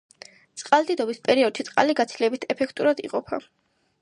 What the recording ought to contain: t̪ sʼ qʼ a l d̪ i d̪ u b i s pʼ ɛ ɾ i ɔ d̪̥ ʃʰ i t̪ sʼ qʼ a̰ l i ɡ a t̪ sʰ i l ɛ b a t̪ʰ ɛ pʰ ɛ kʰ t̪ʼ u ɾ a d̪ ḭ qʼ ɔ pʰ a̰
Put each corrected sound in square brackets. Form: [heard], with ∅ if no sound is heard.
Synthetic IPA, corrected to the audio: t̪ sʼ qʼ a l d̪ i d̪ [ɔ] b i s pʼ ɛ ɾ i ɔ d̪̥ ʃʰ i t̪ sʼ qʼ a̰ l i ɡ a t̪ sʰ i l ɛ b [i] t̪ʰ ɛ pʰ ɛ kʰ t̪ʼ u ɾ a d̪ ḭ qʼ ɔ pʰ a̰